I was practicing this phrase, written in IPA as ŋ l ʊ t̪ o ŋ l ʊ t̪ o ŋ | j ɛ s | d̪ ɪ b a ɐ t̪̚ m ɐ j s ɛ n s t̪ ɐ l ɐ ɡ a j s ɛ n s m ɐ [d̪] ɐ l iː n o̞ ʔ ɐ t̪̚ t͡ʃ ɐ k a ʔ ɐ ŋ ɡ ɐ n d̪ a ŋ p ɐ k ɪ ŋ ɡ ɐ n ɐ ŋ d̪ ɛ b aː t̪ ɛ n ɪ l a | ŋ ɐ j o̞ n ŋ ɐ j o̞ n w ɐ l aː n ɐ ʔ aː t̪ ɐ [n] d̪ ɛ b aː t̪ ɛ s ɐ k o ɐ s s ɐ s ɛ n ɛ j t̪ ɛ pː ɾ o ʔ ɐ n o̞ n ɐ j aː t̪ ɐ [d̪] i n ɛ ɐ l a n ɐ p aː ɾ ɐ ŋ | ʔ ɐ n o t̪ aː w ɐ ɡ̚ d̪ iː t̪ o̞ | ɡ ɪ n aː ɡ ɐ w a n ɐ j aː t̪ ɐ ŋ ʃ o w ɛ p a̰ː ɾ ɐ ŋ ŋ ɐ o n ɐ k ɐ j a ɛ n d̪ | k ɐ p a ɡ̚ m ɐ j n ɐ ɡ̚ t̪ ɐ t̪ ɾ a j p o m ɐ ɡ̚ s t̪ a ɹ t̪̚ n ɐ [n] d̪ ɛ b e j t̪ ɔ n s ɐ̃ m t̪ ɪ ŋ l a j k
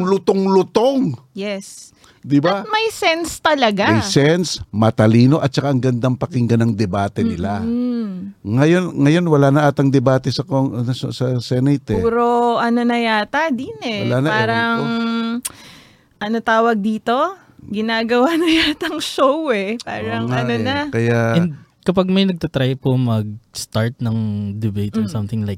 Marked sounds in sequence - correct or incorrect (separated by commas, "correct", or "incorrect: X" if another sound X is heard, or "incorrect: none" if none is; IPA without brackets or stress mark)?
incorrect: t̪, incorrect: ŋ, correct, incorrect: ŋ